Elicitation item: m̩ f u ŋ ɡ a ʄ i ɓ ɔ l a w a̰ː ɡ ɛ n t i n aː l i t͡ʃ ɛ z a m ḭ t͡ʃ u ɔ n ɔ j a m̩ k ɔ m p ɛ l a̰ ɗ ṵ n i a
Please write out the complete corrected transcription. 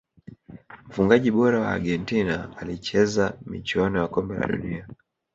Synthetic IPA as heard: m̩ f u ŋ ɡ a ʄ i ɓ ɔ ɾ a w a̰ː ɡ ɛ n t i n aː l i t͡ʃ ɛ z a m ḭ t͡ʃ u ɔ n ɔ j a k ɔ m b ɛ l a̰ ɗ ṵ n i a